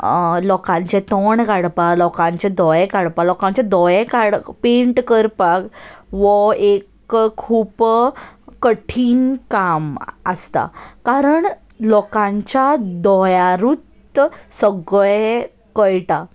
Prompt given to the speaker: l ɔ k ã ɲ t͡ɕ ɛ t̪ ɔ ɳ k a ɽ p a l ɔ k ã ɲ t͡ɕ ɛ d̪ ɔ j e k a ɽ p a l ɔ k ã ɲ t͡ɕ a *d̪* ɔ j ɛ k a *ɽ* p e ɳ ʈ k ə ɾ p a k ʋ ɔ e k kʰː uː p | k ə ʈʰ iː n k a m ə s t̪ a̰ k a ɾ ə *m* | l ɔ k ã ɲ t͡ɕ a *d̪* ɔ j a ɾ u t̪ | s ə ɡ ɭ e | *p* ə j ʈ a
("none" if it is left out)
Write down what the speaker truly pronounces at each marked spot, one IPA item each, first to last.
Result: d̪, ɽ, ɳ, d̪, k

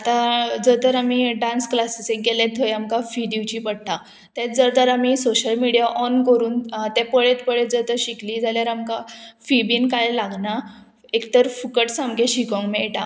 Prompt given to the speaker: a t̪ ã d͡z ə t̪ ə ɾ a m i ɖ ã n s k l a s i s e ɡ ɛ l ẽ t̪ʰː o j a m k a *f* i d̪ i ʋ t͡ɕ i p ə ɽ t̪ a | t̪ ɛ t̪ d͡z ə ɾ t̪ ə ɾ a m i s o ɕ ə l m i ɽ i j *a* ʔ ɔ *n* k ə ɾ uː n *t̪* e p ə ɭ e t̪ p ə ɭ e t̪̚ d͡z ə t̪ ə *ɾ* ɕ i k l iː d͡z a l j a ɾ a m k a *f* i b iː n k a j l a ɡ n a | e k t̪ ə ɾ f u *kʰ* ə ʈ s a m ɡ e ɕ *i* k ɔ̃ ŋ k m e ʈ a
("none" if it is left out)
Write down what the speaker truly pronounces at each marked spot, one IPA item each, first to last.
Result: f, a, n, t̪, ɾ, f, k, i

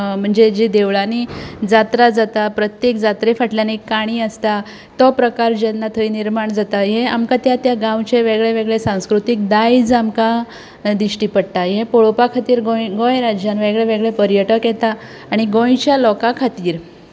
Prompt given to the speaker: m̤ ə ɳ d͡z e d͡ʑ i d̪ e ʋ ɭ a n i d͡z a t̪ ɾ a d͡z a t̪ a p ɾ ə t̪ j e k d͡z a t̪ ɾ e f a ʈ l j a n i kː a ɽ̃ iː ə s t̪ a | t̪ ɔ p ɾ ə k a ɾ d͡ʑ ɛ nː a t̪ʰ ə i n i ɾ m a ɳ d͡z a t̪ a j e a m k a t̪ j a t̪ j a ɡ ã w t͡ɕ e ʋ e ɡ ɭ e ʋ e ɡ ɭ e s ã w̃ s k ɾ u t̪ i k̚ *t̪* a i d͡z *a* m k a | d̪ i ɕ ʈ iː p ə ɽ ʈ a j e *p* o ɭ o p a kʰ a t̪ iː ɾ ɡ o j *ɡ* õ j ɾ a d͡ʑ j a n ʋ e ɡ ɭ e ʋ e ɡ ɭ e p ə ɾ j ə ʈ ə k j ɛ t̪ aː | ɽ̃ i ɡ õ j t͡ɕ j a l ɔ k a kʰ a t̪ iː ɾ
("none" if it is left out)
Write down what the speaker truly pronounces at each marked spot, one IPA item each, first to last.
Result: d̪, a, p, ɡ

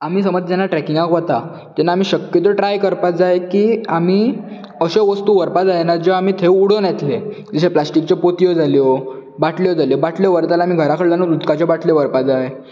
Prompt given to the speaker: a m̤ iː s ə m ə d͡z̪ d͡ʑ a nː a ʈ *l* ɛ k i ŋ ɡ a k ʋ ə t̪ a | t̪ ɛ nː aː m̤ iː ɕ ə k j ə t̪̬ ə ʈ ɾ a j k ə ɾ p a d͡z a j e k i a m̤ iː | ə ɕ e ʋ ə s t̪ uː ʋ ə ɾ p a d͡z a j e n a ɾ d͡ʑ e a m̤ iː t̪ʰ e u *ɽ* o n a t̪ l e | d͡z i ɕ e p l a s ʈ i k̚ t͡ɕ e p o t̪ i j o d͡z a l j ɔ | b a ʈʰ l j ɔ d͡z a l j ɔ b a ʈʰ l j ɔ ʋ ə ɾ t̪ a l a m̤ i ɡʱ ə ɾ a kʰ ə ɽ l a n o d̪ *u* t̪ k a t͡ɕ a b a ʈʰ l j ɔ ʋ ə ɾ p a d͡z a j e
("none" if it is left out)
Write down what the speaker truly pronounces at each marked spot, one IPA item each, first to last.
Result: ɾ, ɽ, u

